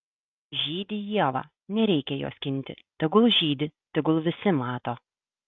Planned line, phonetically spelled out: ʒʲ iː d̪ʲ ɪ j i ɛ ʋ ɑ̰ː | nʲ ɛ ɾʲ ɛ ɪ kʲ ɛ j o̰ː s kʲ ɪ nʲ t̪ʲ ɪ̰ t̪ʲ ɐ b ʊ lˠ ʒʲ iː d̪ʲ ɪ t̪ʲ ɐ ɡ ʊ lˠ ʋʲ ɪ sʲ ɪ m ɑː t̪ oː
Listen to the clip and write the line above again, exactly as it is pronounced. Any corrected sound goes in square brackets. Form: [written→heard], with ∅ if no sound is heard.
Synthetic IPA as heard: ʒʲ iː d̪ʲ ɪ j i ɛ ʋ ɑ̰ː | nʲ ɛ ɾʲ ɛ ɪ kʲ ɛ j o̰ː s kʲ ɪ nʲ t̪ʲ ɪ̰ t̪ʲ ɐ [b→ɡ] ʊ lˠ ʒʲ iː d̪ʲ ɪ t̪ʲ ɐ ɡ ʊ lˠ ʋʲ ɪ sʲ ɪ m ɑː t̪ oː